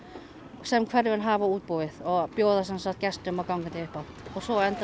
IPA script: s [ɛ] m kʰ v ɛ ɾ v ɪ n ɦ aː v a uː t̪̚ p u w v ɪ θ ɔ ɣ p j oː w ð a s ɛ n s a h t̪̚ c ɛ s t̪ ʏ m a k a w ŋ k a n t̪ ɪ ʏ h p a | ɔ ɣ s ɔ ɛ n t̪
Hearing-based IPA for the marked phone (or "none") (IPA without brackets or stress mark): ɛ